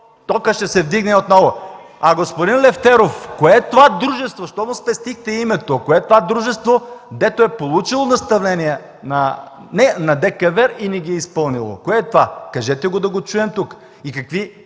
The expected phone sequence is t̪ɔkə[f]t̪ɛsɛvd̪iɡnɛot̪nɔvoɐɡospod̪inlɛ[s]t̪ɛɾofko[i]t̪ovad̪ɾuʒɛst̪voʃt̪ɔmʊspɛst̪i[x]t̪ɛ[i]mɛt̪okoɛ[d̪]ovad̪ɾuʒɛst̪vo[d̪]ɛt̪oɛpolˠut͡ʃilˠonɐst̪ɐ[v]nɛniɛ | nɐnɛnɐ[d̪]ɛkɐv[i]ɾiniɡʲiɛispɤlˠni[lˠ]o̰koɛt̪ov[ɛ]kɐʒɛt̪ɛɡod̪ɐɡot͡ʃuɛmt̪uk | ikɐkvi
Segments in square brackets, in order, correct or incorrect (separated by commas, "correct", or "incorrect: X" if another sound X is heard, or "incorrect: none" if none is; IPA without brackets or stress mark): incorrect: ʃ, incorrect: f, incorrect: ɛ, correct, correct, incorrect: t̪, correct, correct, correct, incorrect: ɛ, correct, incorrect: a